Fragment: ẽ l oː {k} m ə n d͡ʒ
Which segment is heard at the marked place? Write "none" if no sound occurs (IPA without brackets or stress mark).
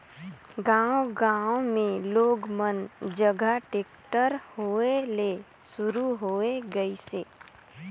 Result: ɡ